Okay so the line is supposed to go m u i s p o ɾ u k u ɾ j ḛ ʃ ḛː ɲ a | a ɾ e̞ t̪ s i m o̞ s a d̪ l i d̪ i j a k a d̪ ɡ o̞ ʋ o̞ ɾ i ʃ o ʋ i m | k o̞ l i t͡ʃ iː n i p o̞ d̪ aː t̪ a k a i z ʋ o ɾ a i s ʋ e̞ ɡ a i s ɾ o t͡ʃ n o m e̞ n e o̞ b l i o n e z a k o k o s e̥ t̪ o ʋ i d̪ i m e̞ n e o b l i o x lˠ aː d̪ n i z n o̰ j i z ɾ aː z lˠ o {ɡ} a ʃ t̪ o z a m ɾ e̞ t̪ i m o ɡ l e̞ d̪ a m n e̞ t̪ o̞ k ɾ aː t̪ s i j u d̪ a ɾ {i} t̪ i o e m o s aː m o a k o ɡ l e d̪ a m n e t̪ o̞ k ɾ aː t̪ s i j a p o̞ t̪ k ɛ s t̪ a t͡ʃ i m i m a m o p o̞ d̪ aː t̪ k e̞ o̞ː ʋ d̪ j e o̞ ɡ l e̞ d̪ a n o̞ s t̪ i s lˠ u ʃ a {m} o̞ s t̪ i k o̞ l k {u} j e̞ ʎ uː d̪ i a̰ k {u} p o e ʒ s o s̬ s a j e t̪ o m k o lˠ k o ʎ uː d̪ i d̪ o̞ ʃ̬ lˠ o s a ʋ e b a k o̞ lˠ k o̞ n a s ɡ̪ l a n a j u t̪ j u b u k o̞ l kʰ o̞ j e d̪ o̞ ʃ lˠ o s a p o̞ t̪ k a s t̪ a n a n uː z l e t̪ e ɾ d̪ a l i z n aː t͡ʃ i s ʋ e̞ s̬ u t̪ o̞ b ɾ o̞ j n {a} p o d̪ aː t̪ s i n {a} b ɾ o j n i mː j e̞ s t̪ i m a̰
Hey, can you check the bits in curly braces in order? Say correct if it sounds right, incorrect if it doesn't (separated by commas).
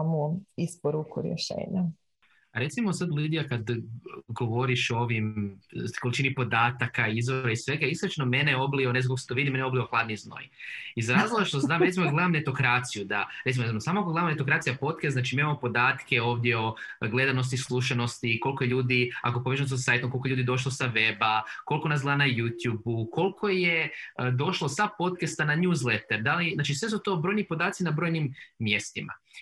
correct, incorrect, incorrect, incorrect, incorrect, incorrect, correct